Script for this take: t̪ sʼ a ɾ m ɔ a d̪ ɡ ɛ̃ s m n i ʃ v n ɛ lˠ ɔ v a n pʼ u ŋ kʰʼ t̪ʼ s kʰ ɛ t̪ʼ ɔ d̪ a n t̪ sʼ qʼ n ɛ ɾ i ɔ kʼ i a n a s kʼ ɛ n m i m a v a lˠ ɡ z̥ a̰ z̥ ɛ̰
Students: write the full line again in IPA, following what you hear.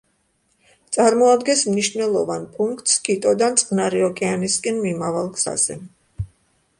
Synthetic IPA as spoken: t̪ sʼ a ɾ m ɔ a d̪ ɡ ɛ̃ s m n i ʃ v n ɛ lˠ ɔ v a n pʼ u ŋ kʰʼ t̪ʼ s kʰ i t̪ʼ ɔ d̪ a n t̪ sʼ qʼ n a ɾ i ɔ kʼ ɛ a n i s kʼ ɛ n m i m a v a lˠ ɡ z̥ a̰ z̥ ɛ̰